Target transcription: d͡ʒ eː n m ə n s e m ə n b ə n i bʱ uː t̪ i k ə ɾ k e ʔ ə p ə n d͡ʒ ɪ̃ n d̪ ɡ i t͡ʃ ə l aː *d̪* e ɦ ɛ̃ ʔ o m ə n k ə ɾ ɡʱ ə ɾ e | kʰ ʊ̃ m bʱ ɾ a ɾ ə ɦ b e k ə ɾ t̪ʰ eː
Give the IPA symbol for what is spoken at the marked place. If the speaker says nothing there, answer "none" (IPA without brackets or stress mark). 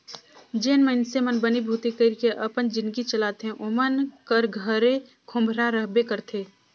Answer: t̪